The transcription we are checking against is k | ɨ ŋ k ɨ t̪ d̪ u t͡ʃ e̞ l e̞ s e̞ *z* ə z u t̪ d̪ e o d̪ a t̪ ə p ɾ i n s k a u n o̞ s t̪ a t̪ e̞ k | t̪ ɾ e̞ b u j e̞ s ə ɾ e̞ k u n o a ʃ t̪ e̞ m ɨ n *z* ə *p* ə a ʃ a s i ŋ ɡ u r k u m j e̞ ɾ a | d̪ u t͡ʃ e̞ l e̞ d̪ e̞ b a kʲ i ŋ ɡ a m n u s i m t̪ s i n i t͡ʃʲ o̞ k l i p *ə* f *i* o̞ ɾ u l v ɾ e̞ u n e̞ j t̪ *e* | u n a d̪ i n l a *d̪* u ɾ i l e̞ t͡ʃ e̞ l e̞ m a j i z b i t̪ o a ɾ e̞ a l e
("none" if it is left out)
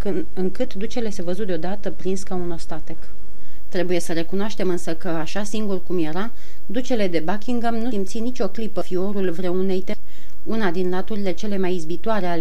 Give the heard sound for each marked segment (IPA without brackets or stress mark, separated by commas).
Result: v, s, k, ə, i, e, t̪